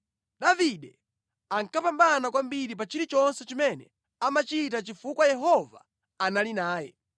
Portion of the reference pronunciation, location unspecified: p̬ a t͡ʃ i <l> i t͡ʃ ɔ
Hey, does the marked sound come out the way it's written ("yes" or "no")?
no